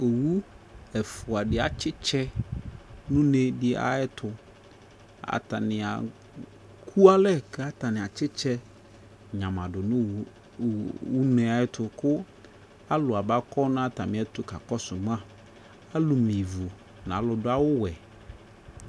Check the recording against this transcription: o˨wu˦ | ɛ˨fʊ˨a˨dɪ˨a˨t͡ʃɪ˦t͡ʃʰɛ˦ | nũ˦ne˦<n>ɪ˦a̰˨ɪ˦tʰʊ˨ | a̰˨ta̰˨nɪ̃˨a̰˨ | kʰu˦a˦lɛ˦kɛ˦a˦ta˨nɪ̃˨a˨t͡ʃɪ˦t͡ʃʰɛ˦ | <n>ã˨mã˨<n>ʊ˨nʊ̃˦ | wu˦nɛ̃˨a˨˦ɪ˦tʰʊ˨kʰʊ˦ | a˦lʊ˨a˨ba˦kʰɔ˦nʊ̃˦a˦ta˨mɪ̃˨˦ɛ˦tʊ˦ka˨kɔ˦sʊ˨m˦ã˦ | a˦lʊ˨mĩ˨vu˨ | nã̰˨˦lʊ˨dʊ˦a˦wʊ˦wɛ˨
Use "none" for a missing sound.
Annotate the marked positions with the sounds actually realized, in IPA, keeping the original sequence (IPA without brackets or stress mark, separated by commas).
d, ɲ, d